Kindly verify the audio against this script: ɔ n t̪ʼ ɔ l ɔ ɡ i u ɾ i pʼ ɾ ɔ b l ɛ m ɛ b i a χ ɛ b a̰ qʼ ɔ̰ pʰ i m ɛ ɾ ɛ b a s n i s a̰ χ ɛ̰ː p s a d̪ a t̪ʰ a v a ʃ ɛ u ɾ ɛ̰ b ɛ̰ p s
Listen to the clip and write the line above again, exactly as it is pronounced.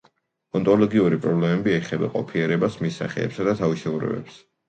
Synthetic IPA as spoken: ɔ n t̪ʼ ɔ l ɔ ɡ i u ɾ i pʼ ɾ ɔ b l ɛ m ɛ b i ɛ χ ɛ b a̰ qʼ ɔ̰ pʰ i ɛ ɾ ɛ b a s m i s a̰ χ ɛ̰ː p s a d̪ a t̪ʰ a v i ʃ ɛ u ɾ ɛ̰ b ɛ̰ p s

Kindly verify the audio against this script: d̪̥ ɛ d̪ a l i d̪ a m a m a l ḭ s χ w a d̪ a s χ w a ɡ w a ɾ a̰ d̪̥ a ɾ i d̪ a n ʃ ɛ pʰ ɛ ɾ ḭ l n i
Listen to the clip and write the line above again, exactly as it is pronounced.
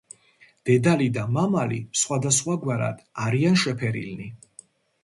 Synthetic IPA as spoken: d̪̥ ɛ d̪ a l i d̪ a m a m a l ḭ s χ w a d̪ a s χ w a ɡ w a ɾ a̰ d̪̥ a ɾ i a n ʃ ɛ pʰ ɛ ɾ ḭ l n i

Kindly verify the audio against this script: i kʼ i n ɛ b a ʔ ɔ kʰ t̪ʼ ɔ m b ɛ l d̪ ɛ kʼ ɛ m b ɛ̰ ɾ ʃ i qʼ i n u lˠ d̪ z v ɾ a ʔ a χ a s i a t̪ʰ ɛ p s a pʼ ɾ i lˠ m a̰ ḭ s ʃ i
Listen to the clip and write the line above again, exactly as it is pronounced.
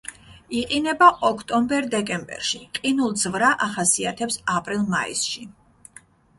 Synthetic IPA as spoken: i qʼ i n ɛ b a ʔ ɔ kʰ t̪ʼ ɔ m b ɛ ɾ d̪ ɛ kʼ ɛ m b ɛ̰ ɾ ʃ i qʼ i n u lˠ d̪ z v ɾ a ʔ a χ a s i a t̪ʰ ɛ p s a pʼ ɾ i lˠ m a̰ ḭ s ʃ i

